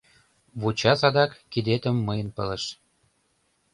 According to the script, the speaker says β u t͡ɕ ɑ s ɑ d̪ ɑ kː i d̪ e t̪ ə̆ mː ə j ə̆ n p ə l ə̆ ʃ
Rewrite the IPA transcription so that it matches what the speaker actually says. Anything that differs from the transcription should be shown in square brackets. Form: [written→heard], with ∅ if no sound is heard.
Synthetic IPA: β u t͡ɕ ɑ s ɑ d̪ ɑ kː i d̪ e t̪ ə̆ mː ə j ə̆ n p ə l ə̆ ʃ